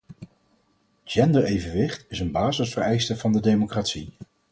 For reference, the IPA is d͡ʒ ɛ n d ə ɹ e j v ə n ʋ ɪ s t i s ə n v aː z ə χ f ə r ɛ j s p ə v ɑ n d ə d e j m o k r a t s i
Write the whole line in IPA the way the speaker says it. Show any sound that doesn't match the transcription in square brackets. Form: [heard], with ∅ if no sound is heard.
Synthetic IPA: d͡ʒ ɛ n d ə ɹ e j v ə n ʋ ɪ [χ] t [ɪ] s ə n [b] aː z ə [s] f ə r ɛ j s [t] ə v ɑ n d ə d e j m o k r a t s i